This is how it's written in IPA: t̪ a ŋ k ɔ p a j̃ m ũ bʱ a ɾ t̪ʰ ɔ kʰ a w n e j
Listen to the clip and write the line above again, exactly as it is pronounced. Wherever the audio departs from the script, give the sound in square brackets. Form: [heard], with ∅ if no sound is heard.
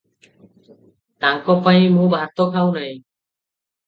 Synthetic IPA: t̪ a ŋ k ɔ p a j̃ m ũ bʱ a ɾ [t̪] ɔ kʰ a w n [a] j